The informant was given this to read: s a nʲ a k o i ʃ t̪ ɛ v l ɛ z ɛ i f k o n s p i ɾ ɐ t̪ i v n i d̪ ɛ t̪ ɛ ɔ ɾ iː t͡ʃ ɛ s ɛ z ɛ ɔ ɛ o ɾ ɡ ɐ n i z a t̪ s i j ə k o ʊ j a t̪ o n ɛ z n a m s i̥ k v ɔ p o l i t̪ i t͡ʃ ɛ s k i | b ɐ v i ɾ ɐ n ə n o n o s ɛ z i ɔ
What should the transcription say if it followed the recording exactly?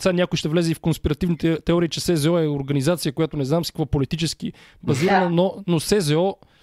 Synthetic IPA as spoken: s a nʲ a k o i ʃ t̪ ɛ v l ɛ z ɛ i f k o n s p i ɾ ɐ t̪ i v n i t̪ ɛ t̪ ɛ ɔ ɾ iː t͡ʃ ɛ s ɛ z ɛ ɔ ɛ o ɾ ɡ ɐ n i z a t̪ s i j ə k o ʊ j a t̪ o n ɛ z n a m s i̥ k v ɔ p o l i t̪ i t͡ʃ ɛ s k i | b ɐ z i ɾ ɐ n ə n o n o s ɛ z ɛ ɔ